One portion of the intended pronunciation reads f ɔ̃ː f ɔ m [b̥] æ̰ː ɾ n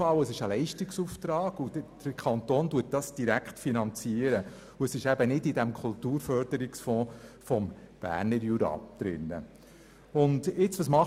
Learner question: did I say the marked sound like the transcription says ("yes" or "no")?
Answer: yes